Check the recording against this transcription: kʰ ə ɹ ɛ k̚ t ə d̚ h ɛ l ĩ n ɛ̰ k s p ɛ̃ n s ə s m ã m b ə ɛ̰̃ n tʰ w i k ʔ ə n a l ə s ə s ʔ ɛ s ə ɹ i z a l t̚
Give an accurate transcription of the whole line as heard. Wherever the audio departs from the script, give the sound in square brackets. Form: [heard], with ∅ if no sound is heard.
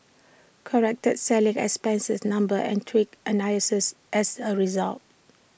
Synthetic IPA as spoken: kʰ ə ɹ ɛ k̚ t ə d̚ [s] ɛ l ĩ [ŋ] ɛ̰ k s p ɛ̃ n s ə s [n] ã m b ə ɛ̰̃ n tʰ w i k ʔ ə n a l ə s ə s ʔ ɛ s ə ɹ i z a l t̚